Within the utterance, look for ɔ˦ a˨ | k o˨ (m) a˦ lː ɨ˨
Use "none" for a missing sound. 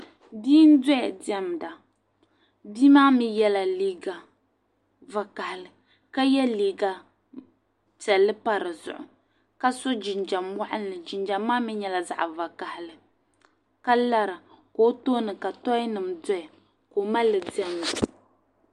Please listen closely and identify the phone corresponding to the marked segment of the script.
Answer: m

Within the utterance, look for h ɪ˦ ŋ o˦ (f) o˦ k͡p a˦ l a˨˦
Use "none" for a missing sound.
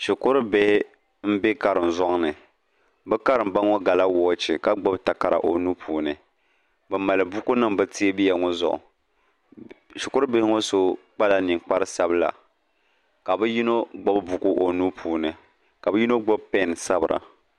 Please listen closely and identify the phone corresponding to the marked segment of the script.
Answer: s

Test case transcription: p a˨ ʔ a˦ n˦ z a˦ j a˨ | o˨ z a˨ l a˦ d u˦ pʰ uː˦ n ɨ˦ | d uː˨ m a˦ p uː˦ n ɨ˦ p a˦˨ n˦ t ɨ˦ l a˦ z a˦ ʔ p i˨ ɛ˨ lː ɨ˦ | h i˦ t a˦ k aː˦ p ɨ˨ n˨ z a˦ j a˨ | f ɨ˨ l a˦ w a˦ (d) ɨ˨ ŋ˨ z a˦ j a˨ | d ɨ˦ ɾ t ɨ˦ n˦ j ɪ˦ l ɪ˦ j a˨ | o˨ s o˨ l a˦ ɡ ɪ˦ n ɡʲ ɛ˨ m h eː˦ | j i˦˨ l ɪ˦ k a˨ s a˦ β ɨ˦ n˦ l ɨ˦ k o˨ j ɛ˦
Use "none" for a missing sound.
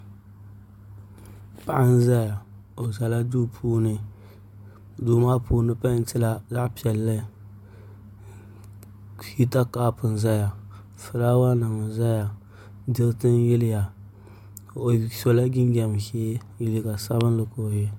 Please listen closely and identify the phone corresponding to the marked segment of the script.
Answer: n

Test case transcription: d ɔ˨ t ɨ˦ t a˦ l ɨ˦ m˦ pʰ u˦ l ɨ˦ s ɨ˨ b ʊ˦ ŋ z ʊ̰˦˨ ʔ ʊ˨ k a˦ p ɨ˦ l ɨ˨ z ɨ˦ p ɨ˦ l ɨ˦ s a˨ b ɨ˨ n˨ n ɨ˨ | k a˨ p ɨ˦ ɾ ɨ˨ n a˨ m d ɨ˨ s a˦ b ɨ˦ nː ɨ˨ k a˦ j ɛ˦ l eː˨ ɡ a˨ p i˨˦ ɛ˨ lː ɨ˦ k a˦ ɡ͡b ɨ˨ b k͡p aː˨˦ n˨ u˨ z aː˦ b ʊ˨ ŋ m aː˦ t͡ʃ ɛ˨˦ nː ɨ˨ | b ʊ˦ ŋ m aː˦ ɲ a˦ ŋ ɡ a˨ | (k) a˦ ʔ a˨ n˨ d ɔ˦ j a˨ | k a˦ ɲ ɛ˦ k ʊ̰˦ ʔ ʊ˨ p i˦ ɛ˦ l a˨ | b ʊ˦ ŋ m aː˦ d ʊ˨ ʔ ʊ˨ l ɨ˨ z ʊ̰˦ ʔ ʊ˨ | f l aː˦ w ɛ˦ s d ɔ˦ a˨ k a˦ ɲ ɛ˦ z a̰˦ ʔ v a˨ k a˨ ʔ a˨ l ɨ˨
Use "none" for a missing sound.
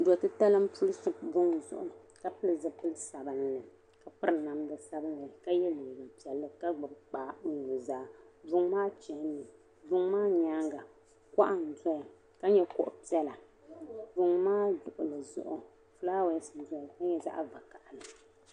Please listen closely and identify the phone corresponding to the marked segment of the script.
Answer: k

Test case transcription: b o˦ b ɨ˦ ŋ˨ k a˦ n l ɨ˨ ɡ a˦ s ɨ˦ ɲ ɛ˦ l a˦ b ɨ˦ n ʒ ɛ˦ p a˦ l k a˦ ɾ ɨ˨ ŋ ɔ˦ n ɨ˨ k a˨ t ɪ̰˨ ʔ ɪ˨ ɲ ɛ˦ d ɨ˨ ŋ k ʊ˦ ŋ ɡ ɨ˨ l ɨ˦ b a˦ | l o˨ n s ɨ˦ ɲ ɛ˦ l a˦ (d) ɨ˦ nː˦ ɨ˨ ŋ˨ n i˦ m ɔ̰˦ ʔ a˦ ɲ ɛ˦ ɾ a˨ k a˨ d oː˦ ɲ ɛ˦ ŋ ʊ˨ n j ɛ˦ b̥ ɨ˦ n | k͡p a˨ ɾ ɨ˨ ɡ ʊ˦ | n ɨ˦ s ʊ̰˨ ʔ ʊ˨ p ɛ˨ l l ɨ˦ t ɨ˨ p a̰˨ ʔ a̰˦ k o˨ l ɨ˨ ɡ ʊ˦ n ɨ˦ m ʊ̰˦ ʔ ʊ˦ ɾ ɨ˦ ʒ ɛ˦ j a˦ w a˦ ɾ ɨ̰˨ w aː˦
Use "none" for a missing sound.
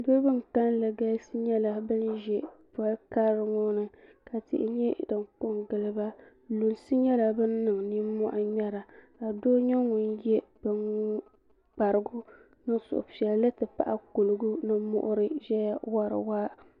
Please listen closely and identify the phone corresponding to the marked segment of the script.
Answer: b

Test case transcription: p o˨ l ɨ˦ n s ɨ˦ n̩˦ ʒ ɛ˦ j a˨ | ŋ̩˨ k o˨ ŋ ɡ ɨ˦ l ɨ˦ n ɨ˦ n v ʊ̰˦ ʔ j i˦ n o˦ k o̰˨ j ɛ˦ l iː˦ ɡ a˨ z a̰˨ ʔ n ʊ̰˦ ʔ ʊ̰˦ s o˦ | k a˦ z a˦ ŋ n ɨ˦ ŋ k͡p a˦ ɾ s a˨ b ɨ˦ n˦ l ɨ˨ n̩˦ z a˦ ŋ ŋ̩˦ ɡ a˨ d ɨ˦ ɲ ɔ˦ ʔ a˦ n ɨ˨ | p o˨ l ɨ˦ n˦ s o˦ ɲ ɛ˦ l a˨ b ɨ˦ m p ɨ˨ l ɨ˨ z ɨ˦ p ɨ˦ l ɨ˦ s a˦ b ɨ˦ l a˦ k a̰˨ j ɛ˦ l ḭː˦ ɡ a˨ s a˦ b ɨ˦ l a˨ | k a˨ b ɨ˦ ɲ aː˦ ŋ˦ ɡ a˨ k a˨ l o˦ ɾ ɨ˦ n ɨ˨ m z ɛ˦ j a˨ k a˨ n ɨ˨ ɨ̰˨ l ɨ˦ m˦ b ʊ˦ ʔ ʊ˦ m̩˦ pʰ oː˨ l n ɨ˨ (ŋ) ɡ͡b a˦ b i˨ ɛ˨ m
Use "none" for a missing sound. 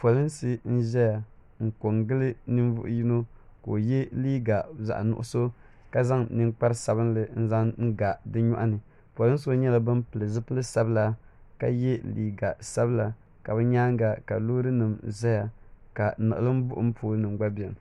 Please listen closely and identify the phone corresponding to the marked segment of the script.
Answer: m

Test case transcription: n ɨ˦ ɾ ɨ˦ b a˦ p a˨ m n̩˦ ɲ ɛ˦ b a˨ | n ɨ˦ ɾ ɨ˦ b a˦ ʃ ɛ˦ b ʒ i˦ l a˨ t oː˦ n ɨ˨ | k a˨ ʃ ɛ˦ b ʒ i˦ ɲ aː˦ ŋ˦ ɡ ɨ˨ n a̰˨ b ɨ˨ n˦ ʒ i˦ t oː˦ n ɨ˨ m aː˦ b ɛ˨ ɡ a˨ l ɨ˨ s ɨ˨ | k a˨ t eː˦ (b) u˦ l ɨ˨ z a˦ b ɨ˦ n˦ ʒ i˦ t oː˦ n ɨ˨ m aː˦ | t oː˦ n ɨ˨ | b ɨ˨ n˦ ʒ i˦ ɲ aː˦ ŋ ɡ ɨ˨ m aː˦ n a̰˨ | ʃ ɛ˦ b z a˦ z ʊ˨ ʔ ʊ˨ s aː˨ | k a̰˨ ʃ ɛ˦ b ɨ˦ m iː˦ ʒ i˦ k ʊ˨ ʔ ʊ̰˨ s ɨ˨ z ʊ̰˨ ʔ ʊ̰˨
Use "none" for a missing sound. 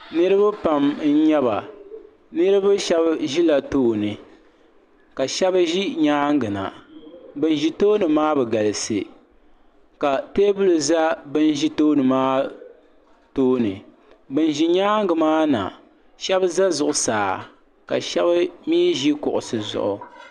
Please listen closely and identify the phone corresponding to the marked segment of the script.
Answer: b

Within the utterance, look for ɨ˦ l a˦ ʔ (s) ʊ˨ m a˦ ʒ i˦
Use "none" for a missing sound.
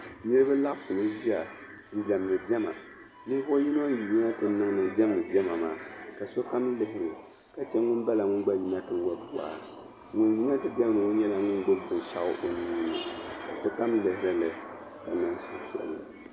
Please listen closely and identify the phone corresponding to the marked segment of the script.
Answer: s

